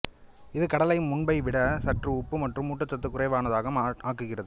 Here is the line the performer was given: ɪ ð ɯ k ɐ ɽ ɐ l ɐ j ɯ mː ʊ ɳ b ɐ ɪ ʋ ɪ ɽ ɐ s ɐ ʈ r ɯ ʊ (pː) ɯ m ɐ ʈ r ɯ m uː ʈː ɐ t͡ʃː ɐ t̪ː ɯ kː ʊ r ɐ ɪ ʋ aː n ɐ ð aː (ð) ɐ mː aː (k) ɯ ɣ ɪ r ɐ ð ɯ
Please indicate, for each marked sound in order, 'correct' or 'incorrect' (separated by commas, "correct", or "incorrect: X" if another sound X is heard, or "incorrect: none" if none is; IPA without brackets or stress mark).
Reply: correct, incorrect: ɣ, correct